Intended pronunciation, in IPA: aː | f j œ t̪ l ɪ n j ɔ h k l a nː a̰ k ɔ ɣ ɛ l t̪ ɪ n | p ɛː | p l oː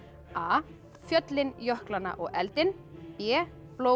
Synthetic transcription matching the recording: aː | f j œ t̪ l ɪ n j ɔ h k l a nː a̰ ʔ ɔ ɣ ɛ l t̪ ɪ n | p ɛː | p l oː